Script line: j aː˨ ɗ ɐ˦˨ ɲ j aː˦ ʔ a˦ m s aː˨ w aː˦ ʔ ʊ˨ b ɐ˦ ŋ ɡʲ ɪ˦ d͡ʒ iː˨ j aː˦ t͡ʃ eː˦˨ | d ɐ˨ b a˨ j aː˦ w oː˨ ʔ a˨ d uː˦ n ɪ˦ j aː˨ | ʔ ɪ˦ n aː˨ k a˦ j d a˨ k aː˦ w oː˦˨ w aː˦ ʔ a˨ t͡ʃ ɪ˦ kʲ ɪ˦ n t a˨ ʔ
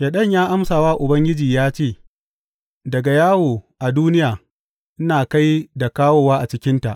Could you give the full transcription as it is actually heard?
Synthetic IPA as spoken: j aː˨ ɗ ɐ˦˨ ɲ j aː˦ ʔ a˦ m s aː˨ w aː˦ ʔ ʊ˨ b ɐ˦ ŋ ɡʲ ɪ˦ d͡ʒ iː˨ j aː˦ t͡ʃ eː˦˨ | d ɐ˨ ɡ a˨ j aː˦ w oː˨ ʔ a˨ d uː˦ n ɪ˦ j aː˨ | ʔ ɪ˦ n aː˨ k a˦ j d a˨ k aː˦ w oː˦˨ w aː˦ ʔ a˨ t͡ʃ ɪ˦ kʲ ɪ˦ n t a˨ ʔ

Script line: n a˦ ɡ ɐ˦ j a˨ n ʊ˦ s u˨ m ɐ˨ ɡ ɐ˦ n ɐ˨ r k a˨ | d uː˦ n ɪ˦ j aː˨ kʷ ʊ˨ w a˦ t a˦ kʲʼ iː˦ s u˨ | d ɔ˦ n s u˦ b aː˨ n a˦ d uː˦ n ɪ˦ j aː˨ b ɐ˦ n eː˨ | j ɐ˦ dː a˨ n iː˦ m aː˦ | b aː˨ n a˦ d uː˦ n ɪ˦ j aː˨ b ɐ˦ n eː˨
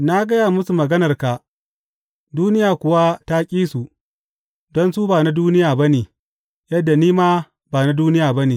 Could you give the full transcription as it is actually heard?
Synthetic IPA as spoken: n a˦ ɡ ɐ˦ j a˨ m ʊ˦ s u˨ m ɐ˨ ɡ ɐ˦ n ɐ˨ r k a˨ | d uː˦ n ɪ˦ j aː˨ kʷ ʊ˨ w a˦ t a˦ kʲʼ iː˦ s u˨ | d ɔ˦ n s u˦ b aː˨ n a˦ d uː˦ n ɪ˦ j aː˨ b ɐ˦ n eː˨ | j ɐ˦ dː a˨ n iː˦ m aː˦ | b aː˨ n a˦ d uː˦ n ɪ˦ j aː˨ b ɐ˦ n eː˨

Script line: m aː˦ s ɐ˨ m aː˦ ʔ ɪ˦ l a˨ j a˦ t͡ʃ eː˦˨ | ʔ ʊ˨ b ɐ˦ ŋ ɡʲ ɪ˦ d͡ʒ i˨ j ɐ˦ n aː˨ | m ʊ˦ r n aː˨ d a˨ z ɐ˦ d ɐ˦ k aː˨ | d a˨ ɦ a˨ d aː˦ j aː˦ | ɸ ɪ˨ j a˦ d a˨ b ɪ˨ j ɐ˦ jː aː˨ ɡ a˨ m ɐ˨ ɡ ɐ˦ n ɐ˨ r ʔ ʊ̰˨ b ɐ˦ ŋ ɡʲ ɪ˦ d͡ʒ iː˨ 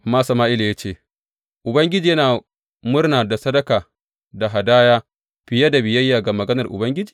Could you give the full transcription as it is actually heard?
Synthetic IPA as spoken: m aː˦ s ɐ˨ m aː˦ ʔ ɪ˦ l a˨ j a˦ t͡ʃ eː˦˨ | ʔ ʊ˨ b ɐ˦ ŋ ɡʲ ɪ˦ d͡ʒ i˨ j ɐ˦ n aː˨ | m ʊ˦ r n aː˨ d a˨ s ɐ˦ d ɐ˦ k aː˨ | d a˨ ɦ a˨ d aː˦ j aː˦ | ɸ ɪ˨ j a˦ d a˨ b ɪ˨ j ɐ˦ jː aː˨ ɡ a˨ m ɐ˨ ɡ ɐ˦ n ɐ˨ r ʔ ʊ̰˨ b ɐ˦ ŋ ɡʲ ɪ˦ d͡ʒ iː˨

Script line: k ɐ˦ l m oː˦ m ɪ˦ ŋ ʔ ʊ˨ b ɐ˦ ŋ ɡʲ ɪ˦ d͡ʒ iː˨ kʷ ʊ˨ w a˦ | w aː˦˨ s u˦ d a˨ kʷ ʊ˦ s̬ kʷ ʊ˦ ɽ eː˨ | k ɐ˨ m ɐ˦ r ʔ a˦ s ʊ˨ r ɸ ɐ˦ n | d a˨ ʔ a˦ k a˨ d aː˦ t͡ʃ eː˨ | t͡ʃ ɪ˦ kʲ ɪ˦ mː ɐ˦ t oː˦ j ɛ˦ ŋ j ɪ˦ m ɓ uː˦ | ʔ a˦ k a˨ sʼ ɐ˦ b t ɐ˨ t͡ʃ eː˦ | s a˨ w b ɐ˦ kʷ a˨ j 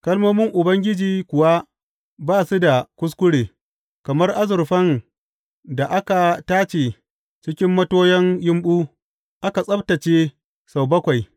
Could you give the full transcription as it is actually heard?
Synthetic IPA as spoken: k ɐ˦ l m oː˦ m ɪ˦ ŋ ʔ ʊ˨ b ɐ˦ ŋ ɡʲ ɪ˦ d͡ʒ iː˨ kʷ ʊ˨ w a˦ | b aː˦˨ s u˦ d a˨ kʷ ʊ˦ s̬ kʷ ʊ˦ ɽ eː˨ | k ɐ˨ m ɐ˦ r ʔ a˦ z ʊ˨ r ɸ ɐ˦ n | d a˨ ʔ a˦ k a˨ t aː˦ t͡ʃ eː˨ | t͡ʃ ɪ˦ kʲ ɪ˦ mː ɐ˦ t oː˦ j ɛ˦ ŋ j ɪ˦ m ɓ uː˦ | ʔ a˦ k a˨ sʼ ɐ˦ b t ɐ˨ t͡ʃ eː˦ | s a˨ w b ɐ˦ kʷ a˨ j

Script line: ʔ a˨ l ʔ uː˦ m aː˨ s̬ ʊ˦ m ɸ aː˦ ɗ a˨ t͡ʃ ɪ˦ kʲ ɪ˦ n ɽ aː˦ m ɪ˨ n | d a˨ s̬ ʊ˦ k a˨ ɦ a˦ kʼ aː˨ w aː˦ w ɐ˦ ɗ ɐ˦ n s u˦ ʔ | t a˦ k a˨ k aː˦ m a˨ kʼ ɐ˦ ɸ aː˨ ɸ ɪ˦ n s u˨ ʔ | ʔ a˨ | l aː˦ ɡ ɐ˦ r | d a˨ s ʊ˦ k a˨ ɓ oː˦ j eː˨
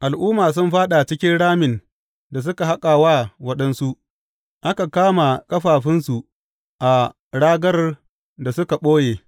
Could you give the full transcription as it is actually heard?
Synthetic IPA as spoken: ʔ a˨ l ʔ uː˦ m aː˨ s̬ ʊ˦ m ɸ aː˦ ɗ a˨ t͡ʃ ɪ˦ kʲ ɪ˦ n ɽ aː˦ m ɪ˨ n | d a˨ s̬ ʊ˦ k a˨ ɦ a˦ kʼ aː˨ w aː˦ w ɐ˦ ɗ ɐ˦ n s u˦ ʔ | ʔ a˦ k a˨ k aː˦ m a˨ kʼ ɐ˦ ɸ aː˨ ɸ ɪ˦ n s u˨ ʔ | ʔ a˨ | ɽ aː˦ ɡ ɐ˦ r | d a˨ s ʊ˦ k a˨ ɓ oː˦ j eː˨

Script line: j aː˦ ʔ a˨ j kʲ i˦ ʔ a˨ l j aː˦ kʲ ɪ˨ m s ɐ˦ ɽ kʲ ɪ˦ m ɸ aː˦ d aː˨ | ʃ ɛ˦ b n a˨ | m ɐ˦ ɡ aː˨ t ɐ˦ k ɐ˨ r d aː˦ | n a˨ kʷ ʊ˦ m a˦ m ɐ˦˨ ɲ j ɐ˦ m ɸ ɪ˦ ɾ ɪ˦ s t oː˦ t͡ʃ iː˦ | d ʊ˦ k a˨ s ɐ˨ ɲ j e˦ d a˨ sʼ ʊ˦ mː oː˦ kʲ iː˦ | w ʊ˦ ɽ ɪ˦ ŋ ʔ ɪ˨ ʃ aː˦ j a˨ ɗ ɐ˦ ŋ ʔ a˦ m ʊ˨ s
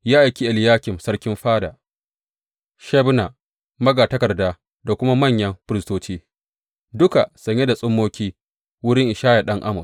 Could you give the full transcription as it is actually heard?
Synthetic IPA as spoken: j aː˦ ʔ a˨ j kʲ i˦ ʔ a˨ l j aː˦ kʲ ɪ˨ m s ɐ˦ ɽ kʲ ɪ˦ m ɸ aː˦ d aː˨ | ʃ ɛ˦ b n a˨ | m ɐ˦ ɡ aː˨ t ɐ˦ k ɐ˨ r d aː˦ | d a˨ kʷ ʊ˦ m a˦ m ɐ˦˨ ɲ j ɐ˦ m ɸ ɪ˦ ɾ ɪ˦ s t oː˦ t͡ʃ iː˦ | d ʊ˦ k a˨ s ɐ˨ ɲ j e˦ d a˨ sʼ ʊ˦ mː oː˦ kʲ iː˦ | w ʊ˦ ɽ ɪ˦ ŋ ʔ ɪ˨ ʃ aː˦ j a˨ ɗ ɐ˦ ŋ ʔ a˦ m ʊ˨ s

